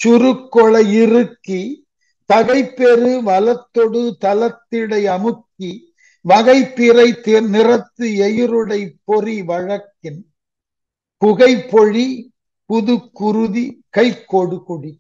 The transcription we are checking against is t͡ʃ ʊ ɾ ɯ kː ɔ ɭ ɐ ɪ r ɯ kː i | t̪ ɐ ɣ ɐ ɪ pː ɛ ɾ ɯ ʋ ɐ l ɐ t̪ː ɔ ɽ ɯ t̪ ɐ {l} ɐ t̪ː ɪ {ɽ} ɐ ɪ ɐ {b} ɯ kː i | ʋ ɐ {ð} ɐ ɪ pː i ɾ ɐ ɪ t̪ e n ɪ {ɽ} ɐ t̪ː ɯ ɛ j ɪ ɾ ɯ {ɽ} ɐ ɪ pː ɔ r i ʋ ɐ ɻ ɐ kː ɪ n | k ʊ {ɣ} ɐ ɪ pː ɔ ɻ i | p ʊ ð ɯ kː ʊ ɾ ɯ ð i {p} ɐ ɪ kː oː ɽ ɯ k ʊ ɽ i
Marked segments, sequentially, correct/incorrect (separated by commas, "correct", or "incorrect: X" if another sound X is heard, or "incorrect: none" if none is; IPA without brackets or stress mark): correct, correct, incorrect: m, incorrect: ɣ, incorrect: r, correct, correct, incorrect: k